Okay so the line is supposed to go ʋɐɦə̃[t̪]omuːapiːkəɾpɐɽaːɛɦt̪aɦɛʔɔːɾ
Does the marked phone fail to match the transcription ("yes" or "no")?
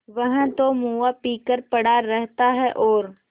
no